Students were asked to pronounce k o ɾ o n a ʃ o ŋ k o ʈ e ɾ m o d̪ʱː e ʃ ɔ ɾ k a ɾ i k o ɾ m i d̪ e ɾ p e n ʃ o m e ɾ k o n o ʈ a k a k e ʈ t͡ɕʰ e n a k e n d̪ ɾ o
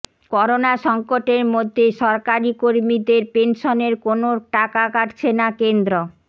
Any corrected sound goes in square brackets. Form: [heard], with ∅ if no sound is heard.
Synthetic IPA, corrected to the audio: k [ɔ] ɾ o n a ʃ [ɔ] ŋ k o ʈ e ɾ m o d̪ʱː e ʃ ɔ ɾ k a ɾ i k o ɾ m i d̪ e ɾ p e n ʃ o [n] e ɾ k o n o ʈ a k a k [a] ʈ t͡ɕʰ e n a k e n d̪ ɾ o